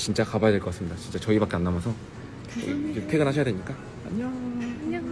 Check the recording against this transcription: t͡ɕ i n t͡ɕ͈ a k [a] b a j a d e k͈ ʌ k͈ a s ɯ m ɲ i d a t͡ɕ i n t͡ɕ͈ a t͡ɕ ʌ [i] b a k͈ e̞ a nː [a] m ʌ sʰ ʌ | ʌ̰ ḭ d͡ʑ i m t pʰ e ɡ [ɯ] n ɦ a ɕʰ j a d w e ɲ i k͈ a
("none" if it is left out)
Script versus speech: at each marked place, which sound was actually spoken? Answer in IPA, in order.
a, i, a, ɯ

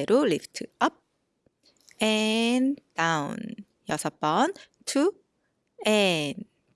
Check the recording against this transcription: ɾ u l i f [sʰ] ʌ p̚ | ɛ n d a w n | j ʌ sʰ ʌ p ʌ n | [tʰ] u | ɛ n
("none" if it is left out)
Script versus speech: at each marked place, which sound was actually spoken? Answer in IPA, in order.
tʰ, tʰ

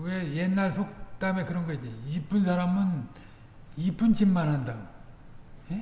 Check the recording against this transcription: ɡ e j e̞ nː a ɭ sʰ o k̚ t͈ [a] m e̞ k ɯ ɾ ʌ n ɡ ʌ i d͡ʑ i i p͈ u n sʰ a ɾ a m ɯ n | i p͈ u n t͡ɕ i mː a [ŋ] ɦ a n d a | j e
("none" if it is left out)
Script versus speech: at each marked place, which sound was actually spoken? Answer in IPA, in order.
a, n

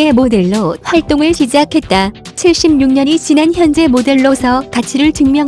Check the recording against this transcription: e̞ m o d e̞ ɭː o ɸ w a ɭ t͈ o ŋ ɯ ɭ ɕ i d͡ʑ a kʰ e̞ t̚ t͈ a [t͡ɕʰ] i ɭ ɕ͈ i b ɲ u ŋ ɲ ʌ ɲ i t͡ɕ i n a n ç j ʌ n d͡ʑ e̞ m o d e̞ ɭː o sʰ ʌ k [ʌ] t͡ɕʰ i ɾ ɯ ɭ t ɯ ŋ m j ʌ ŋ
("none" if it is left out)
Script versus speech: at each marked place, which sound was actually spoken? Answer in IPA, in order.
t͡ɕʰ, a

